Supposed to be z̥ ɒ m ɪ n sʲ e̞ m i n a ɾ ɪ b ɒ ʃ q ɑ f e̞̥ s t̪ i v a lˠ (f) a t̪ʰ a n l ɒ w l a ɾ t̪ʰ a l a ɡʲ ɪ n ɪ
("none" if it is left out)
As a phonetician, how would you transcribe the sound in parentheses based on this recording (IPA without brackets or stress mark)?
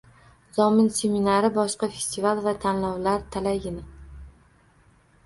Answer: v